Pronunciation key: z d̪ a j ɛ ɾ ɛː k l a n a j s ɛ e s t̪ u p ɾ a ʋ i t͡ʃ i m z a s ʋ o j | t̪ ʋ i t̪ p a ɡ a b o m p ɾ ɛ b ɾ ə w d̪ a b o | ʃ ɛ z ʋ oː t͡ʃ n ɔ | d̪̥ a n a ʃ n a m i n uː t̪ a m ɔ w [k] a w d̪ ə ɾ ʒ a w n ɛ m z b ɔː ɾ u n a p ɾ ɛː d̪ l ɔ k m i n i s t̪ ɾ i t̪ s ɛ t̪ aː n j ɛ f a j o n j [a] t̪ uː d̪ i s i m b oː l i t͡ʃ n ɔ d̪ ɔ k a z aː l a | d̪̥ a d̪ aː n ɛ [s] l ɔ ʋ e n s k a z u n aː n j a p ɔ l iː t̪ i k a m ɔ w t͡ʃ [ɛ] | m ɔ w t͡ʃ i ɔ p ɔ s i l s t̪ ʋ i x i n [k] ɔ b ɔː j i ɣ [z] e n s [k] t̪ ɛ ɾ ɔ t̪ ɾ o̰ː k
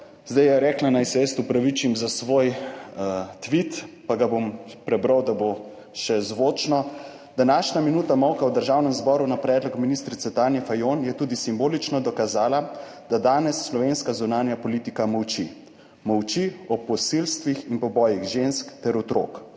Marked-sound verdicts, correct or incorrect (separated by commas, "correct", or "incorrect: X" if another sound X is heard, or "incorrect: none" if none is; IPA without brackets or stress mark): correct, incorrect: ɛ, incorrect: sː, incorrect: i, incorrect: p, incorrect: ʒ, correct